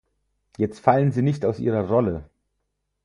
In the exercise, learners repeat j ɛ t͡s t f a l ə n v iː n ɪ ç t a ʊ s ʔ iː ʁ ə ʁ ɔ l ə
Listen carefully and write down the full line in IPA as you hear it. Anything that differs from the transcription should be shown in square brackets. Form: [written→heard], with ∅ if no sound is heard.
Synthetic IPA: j ɛ t͡s t f a l ə n [v→z] iː n ɪ ç t a ʊ s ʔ iː ʁ [ə→ɐ] ʁ ɔ l ə